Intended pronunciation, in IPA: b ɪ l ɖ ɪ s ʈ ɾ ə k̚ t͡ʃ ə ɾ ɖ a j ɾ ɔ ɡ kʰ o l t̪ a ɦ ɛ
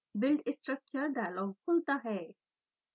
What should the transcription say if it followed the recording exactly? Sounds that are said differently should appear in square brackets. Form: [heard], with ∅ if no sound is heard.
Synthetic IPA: b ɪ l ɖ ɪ s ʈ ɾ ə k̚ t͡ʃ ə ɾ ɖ a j [l] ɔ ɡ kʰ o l t̪ a ɦ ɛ

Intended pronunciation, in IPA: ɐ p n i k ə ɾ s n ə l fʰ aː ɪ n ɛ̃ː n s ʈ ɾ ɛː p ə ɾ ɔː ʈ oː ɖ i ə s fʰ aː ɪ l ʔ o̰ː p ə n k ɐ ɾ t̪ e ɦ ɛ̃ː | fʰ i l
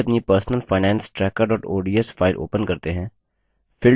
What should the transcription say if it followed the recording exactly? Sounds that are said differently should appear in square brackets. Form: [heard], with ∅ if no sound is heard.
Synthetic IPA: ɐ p n i [p] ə ɾ s n ə l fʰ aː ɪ n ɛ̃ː n s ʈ ɾ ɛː [k] ə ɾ ɔː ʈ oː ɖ i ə s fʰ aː ɪ l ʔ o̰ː p ə n k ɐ ɾ t̪ e ɦ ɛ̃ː | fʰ [ɪ] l

